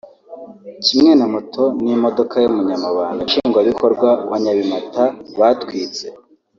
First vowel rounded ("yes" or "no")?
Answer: no